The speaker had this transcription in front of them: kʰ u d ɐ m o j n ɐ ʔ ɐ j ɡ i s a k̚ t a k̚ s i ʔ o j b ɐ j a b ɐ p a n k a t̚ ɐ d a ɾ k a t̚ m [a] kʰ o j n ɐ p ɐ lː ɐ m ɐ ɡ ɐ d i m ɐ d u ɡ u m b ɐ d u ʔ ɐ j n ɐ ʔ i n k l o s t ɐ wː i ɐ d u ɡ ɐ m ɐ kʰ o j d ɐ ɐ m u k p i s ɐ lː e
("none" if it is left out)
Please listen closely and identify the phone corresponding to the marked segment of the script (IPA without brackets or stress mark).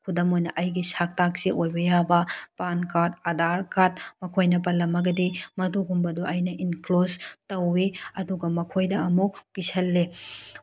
ɐ